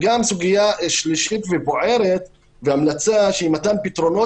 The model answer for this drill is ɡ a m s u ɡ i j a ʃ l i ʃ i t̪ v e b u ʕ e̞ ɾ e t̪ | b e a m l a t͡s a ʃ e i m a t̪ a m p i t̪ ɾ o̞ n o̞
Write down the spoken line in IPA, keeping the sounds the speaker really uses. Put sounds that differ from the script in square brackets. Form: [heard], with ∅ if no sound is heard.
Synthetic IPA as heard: ɡ a m s u ɡ i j a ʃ l i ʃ i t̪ v e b [o] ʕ e̞ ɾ e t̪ | [v] e a m l a t͡s a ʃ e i m a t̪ a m p i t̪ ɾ o̞ n o̞